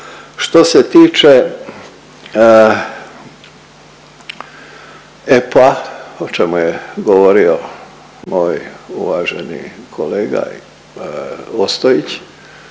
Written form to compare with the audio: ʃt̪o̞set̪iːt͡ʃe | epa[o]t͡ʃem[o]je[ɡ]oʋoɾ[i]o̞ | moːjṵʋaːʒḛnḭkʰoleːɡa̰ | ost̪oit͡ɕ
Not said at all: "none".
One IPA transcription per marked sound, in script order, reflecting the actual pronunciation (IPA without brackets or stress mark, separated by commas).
o, u, ɡ, i